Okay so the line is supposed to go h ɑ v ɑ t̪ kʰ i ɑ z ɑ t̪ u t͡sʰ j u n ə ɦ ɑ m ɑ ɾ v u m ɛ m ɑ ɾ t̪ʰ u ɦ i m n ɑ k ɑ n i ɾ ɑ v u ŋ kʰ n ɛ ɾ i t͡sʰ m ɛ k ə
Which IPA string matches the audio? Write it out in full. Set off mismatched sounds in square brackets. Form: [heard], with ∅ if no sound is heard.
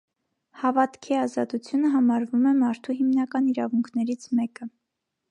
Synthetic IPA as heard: h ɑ v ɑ t̪ kʰ i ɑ z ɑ t̪ u t͡sʰ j u n ə ɦ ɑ m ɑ ɾ v u m ɛ m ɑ ɾ t̪ʰ u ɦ i m n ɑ k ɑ n i ɾ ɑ v u ŋ kʰ n ɛ ɾ i t͡sʰ m ɛ k ə